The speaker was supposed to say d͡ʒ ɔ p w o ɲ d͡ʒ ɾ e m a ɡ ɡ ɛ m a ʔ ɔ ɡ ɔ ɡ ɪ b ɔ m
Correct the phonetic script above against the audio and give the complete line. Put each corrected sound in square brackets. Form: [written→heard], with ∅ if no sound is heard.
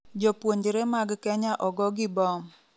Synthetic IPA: d͡ʒ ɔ p w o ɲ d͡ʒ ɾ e m a ɡ [ɡ→k] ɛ [m→ɲ] a ʔ ɔ ɡ ɔ ɡ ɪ b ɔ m